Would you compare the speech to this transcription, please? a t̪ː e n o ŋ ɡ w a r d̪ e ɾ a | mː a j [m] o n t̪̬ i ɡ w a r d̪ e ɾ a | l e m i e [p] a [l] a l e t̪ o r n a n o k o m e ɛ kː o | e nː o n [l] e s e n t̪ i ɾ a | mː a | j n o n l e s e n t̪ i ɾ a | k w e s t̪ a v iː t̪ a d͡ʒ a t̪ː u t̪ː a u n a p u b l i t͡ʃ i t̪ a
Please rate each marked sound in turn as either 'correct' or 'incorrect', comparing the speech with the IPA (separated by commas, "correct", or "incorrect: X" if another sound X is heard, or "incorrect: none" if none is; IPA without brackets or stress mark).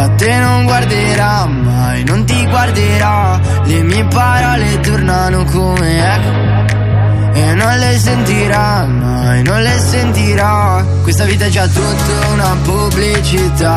incorrect: n, correct, incorrect: ɾ, correct